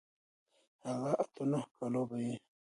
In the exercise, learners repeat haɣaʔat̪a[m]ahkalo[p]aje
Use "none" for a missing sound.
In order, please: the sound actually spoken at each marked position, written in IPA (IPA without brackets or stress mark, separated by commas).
n, b